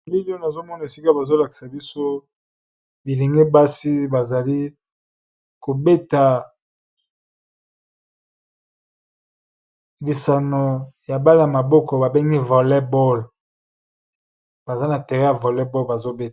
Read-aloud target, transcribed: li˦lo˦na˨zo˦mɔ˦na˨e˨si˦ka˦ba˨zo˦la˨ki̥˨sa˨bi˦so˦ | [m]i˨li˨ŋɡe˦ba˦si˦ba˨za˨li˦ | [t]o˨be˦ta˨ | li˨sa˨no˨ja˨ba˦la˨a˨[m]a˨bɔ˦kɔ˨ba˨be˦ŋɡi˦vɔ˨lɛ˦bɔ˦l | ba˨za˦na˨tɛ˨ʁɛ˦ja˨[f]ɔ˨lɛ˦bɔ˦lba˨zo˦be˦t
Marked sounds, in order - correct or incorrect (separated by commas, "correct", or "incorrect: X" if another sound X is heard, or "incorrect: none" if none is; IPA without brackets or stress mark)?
incorrect: b, incorrect: k, correct, incorrect: v